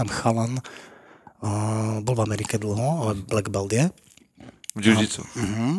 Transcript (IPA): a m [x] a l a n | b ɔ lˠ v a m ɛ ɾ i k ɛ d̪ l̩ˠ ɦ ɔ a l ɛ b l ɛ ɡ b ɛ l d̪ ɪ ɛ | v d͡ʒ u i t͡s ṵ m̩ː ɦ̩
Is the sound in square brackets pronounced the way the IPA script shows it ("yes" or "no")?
yes